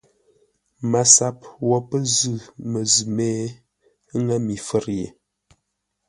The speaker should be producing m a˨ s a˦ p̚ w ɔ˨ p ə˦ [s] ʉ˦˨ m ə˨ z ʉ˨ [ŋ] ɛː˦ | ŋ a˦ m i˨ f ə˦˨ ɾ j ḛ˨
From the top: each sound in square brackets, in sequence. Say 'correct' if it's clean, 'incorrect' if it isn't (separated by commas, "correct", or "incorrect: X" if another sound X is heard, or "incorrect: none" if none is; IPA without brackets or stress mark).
incorrect: z, incorrect: m